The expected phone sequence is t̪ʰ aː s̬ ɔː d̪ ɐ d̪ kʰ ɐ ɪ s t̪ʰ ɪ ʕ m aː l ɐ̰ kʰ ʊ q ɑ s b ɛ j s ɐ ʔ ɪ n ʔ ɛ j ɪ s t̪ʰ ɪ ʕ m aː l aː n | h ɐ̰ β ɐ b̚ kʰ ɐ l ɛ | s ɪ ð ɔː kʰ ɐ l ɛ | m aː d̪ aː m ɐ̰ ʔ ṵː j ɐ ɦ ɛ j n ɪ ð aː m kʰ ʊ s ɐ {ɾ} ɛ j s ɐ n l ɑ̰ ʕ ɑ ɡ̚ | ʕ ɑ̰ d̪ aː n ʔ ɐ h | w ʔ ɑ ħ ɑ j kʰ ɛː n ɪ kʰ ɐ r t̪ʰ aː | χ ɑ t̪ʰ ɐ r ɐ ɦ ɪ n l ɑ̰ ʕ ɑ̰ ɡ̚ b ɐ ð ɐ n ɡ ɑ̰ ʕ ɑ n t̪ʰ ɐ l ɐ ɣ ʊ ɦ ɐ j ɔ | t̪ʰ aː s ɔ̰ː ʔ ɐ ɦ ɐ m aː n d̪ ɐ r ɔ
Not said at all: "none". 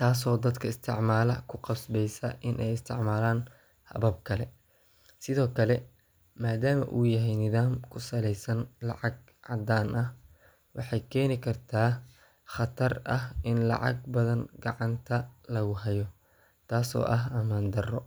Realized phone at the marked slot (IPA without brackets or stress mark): l